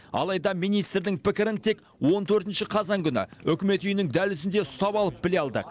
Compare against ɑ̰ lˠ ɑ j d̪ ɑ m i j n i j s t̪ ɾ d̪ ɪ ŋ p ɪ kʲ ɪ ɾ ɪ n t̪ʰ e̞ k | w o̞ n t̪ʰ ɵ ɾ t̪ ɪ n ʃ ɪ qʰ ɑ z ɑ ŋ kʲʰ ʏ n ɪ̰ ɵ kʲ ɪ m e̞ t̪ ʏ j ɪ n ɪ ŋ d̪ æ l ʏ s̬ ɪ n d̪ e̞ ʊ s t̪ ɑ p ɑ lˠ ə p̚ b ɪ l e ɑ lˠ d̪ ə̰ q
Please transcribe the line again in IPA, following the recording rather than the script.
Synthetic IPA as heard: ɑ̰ lˠ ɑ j d̪ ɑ m i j n i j s t̪ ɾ d̪ ɪ ŋ p ɪ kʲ ɪ ɾ ɪ n t̪ʰ e̞ k | w o̞ n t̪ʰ ɵ ɾ t̪ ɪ n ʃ ɪ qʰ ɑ z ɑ ŋ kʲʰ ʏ n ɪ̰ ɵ kʲ ɪ m e̞ t̪ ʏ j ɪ n ɪ ŋ d̪ æ l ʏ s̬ ɪ n d̪ e̞ ʊ s t̪ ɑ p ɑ lˠ ə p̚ b ɪ l e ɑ lˠ d̪ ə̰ q